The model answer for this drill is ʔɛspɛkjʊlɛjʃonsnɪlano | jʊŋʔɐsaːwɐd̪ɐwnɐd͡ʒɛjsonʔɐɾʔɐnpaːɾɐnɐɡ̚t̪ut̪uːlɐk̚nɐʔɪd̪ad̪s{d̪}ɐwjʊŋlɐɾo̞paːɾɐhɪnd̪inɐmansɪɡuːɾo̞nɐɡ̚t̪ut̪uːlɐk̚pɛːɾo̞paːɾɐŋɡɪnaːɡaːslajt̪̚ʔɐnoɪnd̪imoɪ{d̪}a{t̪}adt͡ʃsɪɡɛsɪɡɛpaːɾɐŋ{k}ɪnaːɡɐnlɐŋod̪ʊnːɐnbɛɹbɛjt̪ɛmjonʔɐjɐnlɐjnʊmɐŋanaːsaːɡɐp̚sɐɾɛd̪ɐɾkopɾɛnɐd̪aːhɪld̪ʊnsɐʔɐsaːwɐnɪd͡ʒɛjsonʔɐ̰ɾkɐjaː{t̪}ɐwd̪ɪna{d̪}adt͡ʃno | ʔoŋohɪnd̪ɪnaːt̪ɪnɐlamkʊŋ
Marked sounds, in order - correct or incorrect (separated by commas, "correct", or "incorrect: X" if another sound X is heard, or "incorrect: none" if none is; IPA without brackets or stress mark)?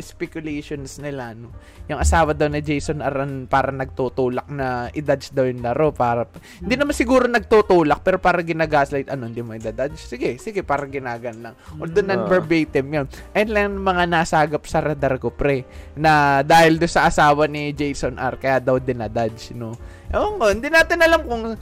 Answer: correct, correct, incorrect: d̪, incorrect: ɡ, incorrect: d̪, correct